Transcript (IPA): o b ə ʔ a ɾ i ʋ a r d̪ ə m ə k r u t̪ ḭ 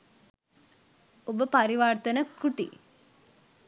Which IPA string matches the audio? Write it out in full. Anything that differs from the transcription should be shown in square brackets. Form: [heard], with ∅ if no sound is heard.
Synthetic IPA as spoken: o b ə [p] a ɾ i ʋ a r [t̪] ə [n] ə k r u t̪ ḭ